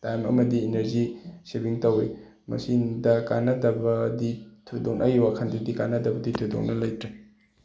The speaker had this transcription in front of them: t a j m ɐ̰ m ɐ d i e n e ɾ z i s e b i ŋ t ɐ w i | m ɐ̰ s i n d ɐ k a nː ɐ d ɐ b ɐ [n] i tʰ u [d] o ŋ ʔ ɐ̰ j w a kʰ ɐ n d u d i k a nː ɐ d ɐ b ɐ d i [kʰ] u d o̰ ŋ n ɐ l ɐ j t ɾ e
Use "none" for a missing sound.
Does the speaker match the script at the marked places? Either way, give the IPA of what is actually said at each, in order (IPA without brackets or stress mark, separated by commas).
d, d, tʰ